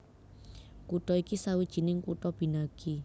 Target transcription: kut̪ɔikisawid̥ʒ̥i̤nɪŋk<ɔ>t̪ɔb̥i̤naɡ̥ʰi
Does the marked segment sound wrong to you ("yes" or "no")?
yes